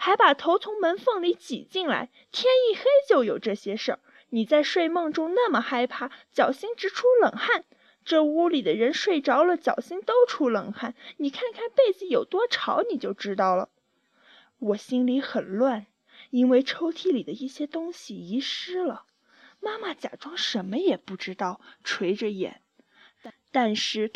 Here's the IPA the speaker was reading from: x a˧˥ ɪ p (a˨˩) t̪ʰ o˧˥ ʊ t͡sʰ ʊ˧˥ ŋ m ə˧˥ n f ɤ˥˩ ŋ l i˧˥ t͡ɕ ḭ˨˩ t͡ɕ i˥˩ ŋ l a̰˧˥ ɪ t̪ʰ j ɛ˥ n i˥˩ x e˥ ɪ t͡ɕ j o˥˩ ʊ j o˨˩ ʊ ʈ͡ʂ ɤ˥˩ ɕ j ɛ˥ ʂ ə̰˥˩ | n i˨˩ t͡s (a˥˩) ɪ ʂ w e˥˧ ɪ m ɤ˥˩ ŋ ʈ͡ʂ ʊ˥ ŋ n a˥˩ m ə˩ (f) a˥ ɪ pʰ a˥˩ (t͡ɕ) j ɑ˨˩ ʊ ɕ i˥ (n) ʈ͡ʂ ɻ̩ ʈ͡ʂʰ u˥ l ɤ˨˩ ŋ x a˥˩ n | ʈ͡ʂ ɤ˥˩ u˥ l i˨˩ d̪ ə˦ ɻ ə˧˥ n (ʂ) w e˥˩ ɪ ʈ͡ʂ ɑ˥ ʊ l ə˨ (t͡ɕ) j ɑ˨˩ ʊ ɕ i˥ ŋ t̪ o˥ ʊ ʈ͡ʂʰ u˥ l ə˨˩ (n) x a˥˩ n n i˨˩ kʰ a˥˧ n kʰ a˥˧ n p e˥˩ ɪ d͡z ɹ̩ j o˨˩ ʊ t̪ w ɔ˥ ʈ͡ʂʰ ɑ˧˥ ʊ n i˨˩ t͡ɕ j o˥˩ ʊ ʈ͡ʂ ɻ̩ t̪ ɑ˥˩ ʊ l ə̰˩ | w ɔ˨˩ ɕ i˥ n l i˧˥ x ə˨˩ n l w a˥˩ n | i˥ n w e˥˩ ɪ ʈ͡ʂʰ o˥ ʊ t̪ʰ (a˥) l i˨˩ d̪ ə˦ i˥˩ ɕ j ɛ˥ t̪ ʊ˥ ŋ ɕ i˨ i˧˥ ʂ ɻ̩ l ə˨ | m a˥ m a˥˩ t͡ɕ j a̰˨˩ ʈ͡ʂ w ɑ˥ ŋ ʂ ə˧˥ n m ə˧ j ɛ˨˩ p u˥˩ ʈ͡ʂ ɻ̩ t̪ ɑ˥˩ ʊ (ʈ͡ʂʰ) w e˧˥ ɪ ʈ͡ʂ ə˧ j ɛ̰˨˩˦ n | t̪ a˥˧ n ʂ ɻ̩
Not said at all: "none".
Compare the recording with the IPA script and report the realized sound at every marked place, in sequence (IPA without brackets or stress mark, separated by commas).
a˨˩, a˥˧, x, t͡ɕ, ŋ, ʂ, t͡ɕ, ŋ, i˥, ʈ͡ʂʰ